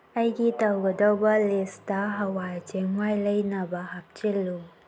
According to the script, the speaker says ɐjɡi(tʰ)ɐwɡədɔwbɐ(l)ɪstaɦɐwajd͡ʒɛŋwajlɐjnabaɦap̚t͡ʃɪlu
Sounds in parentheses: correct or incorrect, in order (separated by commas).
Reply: incorrect, correct